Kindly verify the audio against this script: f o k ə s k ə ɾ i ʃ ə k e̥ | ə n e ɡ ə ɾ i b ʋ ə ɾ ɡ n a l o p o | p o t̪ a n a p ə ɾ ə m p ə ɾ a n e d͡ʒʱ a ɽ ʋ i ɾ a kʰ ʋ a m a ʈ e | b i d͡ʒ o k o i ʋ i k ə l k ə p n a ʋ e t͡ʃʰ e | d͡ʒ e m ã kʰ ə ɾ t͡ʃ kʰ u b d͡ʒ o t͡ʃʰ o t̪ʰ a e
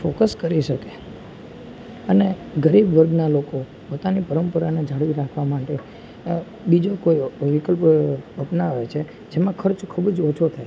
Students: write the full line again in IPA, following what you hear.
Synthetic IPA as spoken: f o k ə s k ə ɾ i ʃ ə k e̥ | ə n e ɡ ə ɾ i b ʋ ə ɾ ɡ n a l o k o | p o t̪ a n i p ə ɾ ə m p ə ɾ a n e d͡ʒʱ a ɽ ʋ i ɾ a kʰ ʋ a m a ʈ e | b i d͡ʒ o k o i ʋ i k ə l p ə p n a ʋ e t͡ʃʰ e | d͡ʒ e m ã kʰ ə ɾ t͡ʃ kʰ u b d͡ʒ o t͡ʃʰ o t̪ʰ a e